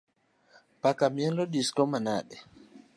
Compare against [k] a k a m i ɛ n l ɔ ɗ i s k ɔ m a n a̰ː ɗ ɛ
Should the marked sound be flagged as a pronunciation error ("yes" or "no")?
yes